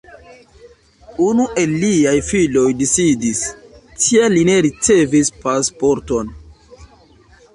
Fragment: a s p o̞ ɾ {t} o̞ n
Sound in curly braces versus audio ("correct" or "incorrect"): correct